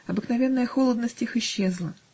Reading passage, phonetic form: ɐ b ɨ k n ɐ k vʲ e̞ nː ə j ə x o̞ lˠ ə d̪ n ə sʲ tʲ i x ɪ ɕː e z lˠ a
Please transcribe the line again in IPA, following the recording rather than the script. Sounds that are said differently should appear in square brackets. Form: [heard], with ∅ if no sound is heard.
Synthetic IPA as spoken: ɐ b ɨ k n ɐ [∅] vʲ e̞ nː ə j ə x o̞ lˠ ə d̪ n ə sʲ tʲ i x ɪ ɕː e z lˠ [ə]